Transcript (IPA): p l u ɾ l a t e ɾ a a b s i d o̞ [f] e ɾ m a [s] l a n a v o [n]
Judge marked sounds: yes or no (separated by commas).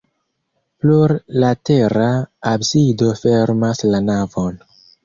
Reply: yes, yes, yes